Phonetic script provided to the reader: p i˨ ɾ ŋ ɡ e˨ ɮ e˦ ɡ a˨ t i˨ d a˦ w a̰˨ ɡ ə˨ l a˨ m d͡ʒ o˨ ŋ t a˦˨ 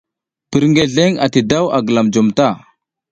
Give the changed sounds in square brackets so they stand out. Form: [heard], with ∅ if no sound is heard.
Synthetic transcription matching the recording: p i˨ ɾ ŋ ɡ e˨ ɮ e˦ [ŋ] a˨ t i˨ d a˦ w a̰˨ ɡ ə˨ l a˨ m d͡ʒ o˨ [m] t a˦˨